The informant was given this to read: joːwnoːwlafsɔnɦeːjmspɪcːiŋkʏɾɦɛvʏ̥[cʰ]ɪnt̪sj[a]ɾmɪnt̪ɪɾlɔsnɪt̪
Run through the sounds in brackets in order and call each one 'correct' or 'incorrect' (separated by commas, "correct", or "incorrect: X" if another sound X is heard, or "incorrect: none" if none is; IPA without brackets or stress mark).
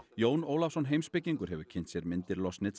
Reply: correct, incorrect: ɛ